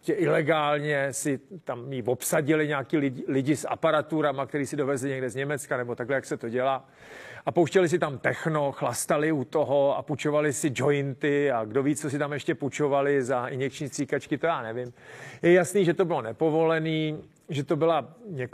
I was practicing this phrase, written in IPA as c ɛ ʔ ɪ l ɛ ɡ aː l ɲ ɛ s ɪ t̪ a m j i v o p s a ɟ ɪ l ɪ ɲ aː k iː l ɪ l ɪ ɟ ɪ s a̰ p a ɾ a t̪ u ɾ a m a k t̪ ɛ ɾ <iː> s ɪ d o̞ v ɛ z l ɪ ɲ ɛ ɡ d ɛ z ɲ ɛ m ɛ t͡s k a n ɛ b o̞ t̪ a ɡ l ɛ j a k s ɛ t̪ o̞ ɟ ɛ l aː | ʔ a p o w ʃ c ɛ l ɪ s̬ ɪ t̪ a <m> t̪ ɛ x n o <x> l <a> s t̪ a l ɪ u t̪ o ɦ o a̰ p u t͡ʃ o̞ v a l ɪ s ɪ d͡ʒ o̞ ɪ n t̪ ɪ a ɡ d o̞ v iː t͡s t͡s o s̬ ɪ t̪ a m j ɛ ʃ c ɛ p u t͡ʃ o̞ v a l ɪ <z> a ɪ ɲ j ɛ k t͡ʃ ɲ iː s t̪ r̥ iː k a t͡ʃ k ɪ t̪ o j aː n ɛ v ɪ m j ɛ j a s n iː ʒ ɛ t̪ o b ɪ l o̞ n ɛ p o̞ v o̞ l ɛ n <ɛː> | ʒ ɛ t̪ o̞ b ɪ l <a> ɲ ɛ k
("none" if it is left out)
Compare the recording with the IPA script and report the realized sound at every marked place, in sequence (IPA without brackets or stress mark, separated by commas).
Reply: iː, m, x, a, z, iː, a